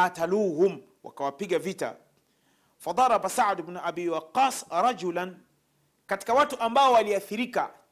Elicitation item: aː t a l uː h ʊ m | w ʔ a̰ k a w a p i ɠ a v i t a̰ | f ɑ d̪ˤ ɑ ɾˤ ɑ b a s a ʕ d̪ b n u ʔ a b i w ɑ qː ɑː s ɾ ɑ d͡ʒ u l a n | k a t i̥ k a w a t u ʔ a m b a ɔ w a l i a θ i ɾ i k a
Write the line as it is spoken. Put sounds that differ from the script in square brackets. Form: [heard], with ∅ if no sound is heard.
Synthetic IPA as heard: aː t a l uː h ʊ m | w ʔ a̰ k a w a p i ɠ a v i t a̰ | f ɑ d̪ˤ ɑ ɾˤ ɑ b a s a ʕ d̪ b n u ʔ a b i w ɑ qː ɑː s ɾ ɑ d͡ʒ u l a n | k a t i̥ k a w a t u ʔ a m b a ɔ w a l i a θ i ɾ i k a